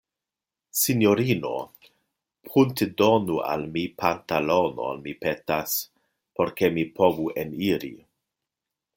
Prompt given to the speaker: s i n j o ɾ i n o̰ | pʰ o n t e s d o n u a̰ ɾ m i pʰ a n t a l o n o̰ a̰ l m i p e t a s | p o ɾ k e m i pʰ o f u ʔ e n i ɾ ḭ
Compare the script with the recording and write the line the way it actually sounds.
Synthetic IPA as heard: s i n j o ɾ i n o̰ | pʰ u n t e d o n u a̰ l m i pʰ a n t a l o n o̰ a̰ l m i p e t a s | p o ɾ k e m i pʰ o v u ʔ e n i ɾ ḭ